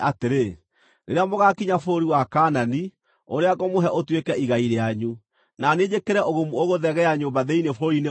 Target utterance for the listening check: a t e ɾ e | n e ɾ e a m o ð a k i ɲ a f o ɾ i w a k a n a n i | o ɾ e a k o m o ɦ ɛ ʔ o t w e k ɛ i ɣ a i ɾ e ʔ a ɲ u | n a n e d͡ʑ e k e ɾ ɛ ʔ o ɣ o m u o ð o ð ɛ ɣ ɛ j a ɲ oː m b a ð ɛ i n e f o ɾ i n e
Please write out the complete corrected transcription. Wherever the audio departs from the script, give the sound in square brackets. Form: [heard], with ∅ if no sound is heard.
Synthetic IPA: a t e ɾ e | n e ɾ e a m o [ɣ] a k i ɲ a f o ɾ i w a k a n a n i | o ɾ e a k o m o ɦ ɛ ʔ o t w e k ɛ i ɣ a i ɾ e [∅] a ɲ u | n a n e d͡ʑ e k e ɾ ɛ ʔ o ɣ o m u o [ɣ] o ð ɛ ɣ ɛ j a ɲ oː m b a ð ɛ i n e f o ɾ i n e